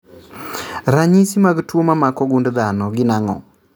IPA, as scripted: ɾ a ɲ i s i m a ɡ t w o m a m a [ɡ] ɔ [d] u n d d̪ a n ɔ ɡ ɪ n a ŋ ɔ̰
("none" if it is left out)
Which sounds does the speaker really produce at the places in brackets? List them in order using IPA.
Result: k, ɡ

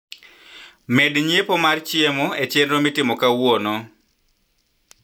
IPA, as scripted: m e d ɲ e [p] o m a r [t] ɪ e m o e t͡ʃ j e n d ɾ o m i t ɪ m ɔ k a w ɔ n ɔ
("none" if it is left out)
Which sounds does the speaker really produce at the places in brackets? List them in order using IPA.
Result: p, t͡ʃ

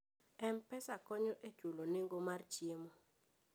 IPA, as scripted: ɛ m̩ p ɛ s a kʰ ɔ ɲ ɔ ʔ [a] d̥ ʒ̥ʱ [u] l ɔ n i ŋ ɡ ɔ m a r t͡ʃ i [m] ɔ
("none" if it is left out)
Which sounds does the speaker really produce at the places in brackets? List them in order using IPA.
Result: e, u, m

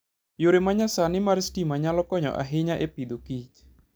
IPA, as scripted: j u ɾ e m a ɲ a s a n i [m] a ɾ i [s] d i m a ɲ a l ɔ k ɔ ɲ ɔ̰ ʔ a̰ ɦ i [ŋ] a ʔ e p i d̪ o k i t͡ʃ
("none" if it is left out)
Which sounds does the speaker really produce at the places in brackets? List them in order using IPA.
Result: m, s, ɲ

